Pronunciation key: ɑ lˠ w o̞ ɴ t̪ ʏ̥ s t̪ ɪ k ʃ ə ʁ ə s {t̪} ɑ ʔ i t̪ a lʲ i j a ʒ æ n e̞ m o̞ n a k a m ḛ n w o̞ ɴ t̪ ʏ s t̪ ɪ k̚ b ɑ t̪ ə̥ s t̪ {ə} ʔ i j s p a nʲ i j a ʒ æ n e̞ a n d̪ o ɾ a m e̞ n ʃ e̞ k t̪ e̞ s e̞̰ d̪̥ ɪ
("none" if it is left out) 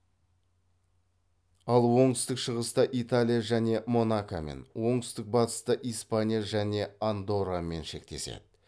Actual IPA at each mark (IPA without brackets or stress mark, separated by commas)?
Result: t̪, ə